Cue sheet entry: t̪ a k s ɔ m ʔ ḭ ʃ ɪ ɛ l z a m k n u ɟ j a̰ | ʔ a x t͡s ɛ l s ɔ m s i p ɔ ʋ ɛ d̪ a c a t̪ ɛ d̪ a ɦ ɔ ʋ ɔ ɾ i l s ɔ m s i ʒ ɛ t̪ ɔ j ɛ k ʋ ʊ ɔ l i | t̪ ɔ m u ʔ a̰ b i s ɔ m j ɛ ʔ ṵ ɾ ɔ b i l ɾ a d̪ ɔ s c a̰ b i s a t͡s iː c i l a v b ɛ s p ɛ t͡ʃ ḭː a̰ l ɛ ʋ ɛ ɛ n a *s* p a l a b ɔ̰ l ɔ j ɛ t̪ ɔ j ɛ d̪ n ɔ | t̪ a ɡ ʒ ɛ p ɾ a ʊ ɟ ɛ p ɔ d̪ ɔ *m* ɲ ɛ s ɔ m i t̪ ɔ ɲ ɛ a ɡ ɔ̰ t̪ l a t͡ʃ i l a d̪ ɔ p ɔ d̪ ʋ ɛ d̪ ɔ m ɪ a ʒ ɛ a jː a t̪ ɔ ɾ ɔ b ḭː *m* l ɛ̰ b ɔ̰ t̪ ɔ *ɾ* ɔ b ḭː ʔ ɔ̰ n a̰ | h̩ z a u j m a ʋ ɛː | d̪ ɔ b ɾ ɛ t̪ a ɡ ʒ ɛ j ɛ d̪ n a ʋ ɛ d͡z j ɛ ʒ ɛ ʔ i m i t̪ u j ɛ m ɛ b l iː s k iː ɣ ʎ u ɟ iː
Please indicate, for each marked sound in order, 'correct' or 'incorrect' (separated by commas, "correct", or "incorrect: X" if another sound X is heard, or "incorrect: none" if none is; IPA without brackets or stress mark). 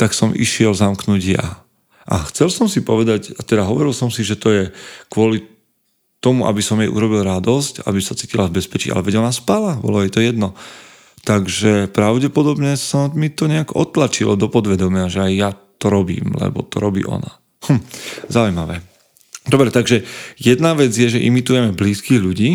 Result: correct, incorrect: b, correct, correct